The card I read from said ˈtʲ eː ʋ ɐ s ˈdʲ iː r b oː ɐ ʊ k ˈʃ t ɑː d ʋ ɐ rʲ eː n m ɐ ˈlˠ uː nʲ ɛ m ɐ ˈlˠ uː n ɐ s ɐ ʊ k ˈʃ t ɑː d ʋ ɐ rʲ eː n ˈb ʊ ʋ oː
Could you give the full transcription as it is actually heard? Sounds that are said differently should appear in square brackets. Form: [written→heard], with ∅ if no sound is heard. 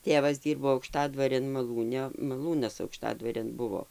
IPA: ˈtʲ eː ʋ ɐ s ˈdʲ iː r b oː ɐ ʊ k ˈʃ t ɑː d ʋ ɐ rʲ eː n m ɐ ˈlˠ uː nʲ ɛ m ɐ ˈlˠ uː n ɐ s ɐ ʊ k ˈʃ t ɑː d ʋ ɐ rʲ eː n ˈb ʊ ʋ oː